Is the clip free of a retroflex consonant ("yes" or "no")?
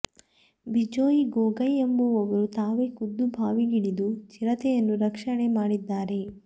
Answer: no